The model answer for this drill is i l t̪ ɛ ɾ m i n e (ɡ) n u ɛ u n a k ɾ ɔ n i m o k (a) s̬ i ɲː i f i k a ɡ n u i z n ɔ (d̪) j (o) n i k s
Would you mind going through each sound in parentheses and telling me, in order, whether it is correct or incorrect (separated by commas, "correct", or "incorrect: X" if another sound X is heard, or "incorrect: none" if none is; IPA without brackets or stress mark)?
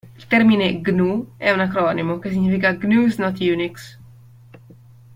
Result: correct, incorrect: e, incorrect: t̪, incorrect: u